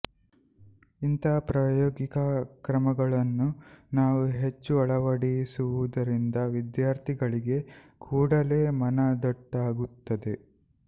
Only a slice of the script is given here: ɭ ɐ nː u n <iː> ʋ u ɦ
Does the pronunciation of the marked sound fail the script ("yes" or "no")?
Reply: yes